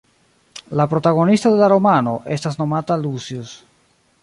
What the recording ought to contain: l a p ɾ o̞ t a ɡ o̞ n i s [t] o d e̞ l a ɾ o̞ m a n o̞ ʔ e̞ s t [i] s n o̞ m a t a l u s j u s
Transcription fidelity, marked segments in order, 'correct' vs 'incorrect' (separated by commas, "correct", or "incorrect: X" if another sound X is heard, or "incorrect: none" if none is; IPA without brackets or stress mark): correct, incorrect: a